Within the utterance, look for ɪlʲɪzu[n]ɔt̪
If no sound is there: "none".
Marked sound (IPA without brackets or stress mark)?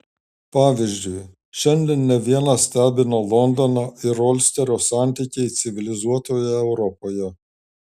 none